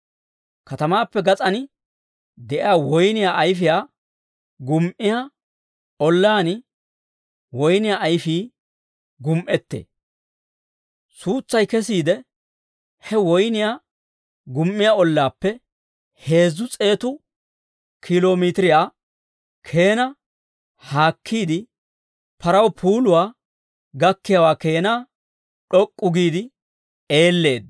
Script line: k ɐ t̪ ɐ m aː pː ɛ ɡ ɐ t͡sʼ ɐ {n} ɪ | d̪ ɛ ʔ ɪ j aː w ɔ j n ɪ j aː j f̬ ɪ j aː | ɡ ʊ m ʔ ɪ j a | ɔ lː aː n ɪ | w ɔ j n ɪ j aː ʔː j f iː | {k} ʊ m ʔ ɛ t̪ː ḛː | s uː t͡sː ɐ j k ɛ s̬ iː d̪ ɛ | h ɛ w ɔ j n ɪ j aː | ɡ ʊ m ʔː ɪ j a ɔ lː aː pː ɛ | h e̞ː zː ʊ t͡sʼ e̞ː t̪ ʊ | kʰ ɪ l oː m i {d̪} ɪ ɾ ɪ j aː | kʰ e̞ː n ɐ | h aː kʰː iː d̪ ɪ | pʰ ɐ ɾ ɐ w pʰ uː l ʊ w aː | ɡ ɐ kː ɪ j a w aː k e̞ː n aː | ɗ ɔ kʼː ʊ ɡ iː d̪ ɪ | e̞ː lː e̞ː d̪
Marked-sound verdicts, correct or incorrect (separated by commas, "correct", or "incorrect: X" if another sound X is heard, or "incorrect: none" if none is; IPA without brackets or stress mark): correct, incorrect: ɡ, incorrect: t̪